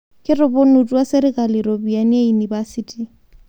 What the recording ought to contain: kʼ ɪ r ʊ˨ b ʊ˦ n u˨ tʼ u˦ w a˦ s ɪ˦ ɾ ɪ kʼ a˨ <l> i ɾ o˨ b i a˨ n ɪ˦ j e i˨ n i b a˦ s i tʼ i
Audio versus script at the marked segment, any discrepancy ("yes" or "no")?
no